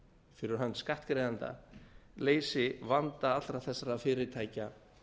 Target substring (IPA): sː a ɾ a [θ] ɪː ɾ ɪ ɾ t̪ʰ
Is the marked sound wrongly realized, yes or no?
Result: yes